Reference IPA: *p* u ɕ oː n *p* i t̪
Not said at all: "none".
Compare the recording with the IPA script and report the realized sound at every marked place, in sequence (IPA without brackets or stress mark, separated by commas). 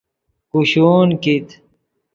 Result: k, k